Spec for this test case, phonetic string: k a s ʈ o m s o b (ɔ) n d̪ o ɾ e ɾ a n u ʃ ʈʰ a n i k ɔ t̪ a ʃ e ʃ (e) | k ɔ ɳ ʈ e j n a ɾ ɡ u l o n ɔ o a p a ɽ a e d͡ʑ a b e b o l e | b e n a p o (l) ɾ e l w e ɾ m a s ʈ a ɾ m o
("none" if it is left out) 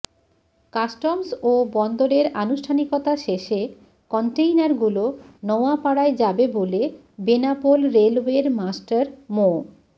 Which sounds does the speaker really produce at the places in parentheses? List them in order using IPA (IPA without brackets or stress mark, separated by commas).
ɔ, e, l